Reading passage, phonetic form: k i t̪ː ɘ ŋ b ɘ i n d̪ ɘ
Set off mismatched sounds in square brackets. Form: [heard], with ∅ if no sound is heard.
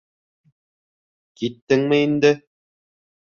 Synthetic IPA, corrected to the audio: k i t̪ː ɘ ŋ [m] ɘ i n d̪ ɘ